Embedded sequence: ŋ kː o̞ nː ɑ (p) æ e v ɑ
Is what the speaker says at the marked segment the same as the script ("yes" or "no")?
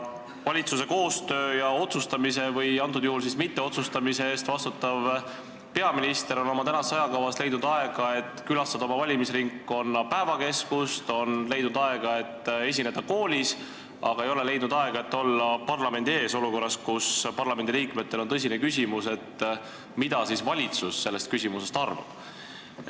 yes